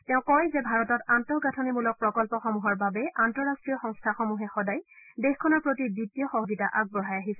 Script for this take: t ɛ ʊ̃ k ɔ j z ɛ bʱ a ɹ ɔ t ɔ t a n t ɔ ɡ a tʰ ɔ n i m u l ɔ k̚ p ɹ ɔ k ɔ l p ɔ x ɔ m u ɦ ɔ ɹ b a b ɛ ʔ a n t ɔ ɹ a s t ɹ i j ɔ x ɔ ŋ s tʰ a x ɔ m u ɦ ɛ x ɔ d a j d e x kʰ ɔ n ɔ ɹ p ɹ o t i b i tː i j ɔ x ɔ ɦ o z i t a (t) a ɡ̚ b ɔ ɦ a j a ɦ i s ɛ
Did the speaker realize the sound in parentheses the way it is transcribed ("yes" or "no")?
no